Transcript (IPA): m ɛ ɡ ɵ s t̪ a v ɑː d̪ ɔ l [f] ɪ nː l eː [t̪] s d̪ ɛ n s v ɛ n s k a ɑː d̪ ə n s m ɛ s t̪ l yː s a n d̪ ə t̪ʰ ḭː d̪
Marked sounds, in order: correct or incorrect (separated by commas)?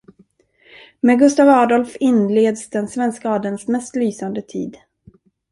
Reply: correct, incorrect